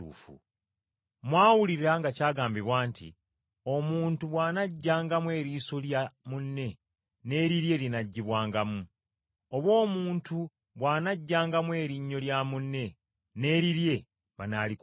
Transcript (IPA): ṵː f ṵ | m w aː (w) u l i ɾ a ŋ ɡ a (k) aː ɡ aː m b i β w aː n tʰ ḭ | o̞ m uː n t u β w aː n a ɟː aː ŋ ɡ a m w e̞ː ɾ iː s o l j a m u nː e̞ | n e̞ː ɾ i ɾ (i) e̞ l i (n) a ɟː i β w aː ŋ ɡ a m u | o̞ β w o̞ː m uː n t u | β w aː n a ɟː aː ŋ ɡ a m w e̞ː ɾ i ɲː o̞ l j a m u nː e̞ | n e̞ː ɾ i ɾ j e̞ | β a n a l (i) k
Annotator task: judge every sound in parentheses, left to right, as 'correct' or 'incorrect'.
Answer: correct, incorrect, incorrect, correct, correct

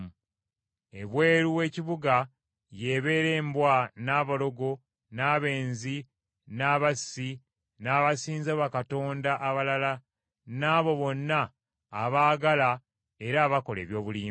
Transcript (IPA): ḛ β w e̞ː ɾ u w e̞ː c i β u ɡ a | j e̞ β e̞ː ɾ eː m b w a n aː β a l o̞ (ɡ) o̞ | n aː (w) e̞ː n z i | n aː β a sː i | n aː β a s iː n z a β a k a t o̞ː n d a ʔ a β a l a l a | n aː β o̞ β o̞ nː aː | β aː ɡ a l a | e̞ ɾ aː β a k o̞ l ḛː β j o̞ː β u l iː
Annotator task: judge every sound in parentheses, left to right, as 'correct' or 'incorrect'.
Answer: correct, incorrect

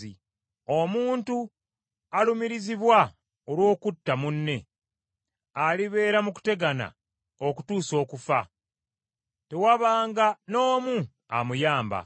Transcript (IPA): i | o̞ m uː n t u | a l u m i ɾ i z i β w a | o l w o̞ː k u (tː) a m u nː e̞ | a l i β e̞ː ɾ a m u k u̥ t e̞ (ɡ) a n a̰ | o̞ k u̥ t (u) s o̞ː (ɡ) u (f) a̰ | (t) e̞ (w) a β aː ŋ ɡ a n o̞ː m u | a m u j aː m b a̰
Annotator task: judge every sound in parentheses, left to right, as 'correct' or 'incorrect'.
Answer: correct, correct, incorrect, incorrect, correct, correct, correct

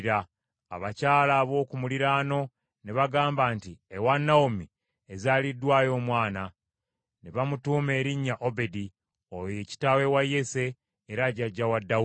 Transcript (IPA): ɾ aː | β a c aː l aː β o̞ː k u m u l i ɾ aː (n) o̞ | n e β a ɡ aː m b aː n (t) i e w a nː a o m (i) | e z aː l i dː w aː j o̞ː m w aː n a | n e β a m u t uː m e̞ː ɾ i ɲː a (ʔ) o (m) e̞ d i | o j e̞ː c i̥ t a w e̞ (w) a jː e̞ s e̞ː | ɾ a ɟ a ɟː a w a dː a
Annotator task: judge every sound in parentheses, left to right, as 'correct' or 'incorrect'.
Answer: correct, correct, correct, correct, incorrect, correct

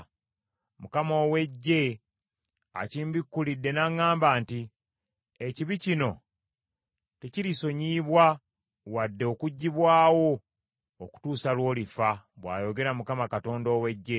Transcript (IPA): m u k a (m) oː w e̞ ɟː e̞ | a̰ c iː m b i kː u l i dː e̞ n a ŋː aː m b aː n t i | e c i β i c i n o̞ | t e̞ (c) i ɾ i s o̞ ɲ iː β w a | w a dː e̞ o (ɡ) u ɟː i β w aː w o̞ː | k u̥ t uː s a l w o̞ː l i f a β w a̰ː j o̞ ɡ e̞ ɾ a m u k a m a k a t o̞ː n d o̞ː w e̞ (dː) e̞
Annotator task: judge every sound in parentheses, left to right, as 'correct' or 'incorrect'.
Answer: correct, correct, incorrect, incorrect

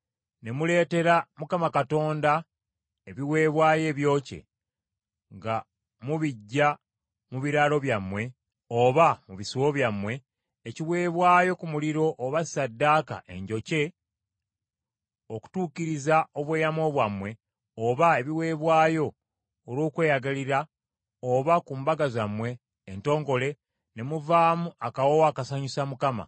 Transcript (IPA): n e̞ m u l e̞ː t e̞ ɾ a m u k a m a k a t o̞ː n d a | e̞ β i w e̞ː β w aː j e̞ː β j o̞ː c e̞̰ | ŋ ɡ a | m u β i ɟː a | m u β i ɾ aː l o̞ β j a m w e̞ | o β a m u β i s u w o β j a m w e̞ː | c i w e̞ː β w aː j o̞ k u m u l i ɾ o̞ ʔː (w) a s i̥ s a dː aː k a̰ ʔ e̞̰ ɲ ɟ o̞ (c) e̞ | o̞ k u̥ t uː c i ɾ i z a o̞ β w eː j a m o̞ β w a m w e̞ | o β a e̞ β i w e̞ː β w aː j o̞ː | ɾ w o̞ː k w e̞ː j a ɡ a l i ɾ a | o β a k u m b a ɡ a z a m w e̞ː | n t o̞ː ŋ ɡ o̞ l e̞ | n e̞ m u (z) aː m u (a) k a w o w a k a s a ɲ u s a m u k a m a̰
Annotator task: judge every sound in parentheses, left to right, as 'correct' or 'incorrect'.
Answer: incorrect, correct, incorrect, correct

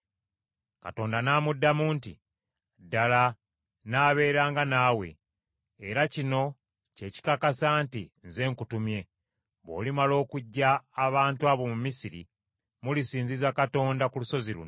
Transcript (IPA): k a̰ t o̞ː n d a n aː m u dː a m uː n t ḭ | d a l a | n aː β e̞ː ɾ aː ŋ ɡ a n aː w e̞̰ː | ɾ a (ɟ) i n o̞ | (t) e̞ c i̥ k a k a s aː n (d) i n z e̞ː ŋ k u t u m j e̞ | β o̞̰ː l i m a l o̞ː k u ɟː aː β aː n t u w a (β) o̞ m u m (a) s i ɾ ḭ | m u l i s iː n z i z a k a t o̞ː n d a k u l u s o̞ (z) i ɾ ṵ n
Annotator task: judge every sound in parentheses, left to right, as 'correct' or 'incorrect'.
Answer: incorrect, incorrect, incorrect, correct, incorrect, correct

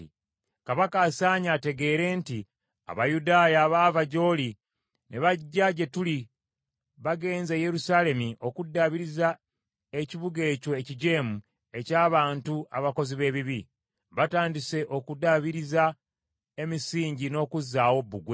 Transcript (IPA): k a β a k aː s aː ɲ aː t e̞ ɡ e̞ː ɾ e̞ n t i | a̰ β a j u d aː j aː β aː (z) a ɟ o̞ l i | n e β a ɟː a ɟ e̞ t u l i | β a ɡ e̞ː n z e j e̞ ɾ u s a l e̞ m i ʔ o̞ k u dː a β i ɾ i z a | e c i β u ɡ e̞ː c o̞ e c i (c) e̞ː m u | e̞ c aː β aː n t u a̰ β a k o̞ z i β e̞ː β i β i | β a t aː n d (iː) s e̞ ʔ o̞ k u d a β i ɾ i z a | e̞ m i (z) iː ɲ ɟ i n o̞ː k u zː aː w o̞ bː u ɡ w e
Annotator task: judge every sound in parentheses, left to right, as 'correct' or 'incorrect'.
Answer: incorrect, incorrect, incorrect, incorrect

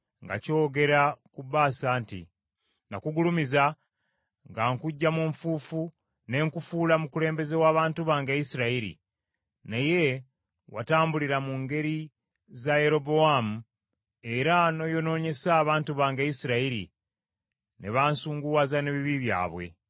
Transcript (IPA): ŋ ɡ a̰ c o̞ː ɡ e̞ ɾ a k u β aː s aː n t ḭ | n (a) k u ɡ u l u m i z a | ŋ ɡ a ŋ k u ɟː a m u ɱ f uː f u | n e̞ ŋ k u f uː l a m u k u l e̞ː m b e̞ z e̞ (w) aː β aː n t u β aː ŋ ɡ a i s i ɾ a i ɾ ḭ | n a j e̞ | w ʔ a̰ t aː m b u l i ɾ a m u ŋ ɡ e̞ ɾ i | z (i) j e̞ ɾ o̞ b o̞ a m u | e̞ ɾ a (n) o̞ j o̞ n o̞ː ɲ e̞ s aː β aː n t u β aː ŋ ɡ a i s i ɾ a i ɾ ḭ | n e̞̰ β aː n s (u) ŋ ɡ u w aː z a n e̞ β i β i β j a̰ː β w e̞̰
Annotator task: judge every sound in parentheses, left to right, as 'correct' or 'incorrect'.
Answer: correct, correct, incorrect, correct, incorrect

